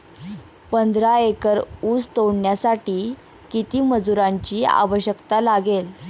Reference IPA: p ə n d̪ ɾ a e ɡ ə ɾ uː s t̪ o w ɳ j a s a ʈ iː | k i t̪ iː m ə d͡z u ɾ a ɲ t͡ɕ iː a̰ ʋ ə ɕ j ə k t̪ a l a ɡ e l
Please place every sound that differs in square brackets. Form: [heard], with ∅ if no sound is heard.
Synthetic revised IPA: p ə n d̪ ɾ a e [k] ə ɾ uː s t̪ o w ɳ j a s a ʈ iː | k i t̪ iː m ə d͡z u ɾ a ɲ t͡ɕ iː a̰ ʋ ə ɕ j ə k t̪ a l a ɡ e l